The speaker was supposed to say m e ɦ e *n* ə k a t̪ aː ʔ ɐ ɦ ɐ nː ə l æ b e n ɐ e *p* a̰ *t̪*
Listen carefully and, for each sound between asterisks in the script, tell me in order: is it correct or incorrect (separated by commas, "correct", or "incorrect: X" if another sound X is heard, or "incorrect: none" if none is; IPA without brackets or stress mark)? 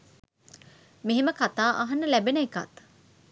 incorrect: m, incorrect: k, correct